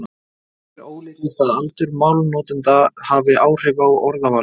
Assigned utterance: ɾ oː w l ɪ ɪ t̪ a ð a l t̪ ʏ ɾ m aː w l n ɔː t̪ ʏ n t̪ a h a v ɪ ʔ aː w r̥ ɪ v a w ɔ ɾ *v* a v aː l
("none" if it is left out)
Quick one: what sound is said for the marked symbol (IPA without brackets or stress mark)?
ð